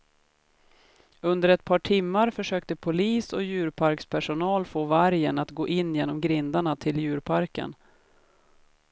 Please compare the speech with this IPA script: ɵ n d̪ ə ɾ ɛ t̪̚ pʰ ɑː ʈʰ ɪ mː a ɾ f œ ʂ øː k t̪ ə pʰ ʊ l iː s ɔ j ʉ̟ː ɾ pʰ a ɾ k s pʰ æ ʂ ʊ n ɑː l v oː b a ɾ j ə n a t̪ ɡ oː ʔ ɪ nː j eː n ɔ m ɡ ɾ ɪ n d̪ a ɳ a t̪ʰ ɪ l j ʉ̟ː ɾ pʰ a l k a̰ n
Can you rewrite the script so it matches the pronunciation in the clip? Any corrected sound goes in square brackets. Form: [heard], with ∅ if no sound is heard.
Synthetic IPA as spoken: ɵ n d̪ ə ɾ ɛ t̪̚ pʰ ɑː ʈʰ ɪ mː a ɾ f œ ʂ øː k t̪ ə pʰ ʊ l iː s ɔ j ʉ̟ː ɾ pʰ a ɾ k s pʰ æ ʂ ʊ n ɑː l [f] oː [v] a ɾ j ə n a t̪ ɡ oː ʔ ɪ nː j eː n ɔ m ɡ ɾ ɪ n d̪ a ɳ a t̪ʰ ɪ l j ʉ̟ː ɾ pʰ a [ɾ] k [ə̰] n